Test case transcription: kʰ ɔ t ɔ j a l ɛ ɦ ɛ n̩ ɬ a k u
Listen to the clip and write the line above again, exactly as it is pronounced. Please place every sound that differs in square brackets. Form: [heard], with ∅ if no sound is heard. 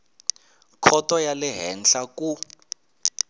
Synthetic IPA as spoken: kʰ ɔ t ɔ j a l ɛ ɦ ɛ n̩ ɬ a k u